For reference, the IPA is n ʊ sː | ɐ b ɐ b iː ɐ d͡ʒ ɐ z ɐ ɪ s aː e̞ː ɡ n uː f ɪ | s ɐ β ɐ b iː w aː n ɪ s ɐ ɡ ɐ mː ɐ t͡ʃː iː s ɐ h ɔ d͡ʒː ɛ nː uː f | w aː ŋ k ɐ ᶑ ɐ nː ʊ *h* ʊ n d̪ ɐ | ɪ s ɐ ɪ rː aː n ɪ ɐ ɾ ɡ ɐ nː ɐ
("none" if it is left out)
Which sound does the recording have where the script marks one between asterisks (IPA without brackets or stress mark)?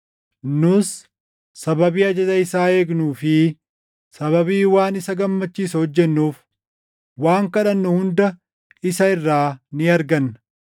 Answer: h